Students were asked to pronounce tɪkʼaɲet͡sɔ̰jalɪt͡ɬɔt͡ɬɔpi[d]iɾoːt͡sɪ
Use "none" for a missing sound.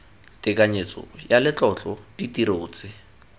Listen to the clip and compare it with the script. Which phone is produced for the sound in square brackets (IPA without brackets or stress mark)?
t